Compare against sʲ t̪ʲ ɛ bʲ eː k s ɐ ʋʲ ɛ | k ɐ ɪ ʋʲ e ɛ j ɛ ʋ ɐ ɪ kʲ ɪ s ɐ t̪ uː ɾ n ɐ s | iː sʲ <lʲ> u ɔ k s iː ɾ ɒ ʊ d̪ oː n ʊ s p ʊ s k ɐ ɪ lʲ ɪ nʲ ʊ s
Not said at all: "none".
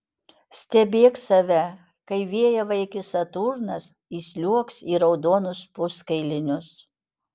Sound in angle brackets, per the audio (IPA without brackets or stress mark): lʲ